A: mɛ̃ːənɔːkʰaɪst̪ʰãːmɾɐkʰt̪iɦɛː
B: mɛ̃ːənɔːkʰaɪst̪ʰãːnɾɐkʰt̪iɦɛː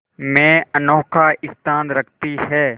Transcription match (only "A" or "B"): B